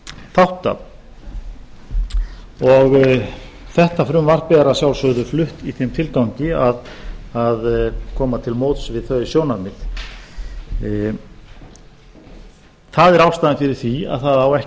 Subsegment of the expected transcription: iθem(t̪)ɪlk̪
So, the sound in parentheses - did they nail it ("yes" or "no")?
no